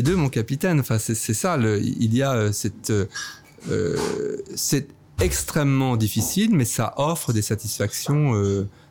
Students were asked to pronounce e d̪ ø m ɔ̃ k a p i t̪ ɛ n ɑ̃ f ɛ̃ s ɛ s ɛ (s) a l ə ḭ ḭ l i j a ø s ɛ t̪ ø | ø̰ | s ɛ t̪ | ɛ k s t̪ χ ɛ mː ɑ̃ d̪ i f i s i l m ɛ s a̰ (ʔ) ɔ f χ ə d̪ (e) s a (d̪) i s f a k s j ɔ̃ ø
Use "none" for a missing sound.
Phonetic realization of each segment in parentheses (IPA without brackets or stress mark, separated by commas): s, ʔ, e, t̪